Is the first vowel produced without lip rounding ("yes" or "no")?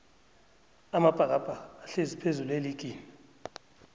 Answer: yes